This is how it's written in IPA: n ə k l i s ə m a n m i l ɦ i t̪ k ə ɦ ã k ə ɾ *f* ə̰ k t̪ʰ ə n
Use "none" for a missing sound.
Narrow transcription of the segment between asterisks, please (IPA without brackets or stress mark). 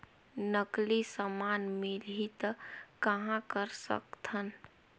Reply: s